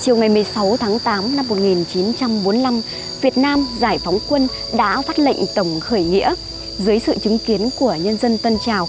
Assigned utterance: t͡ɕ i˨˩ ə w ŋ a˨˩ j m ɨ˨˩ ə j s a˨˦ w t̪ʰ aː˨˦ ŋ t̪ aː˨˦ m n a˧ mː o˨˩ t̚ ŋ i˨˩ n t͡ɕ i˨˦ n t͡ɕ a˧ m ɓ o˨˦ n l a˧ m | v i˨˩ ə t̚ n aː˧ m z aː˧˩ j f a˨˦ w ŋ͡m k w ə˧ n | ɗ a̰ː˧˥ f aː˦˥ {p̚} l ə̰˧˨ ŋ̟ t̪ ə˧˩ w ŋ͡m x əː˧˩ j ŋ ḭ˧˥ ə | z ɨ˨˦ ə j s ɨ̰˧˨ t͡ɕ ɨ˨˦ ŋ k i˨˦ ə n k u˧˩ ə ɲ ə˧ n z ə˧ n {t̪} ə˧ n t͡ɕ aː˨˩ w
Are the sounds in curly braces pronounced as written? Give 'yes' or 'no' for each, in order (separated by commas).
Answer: no, yes